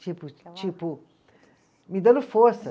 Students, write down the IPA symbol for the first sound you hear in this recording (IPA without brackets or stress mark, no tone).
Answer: t͡ʃ